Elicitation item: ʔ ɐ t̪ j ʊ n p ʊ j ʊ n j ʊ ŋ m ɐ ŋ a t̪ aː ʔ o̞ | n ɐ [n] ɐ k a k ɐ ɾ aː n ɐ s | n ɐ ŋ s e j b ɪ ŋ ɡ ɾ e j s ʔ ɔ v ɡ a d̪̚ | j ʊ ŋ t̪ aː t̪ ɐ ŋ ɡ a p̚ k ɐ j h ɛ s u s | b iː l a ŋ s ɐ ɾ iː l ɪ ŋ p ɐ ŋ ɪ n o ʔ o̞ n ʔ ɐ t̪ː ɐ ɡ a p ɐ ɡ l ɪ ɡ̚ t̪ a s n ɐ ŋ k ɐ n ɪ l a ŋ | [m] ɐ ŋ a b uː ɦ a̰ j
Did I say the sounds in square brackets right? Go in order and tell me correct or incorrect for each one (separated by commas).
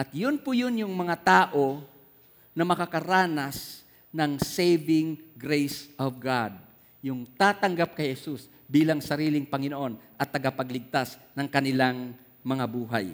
incorrect, correct